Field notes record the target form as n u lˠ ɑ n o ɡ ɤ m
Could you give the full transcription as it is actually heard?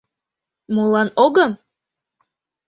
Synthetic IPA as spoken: m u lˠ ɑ n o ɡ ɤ m